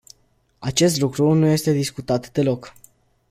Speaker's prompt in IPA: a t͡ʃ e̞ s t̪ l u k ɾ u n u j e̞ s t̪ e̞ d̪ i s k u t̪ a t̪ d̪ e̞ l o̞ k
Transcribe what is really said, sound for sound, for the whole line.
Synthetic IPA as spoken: a t͡ʃ e̞ s t̪ l u k ɾ u n u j e̞ s t̪ e̞ d̪ i s k u t̪ a t̪ d̪ e̞ l o̞ k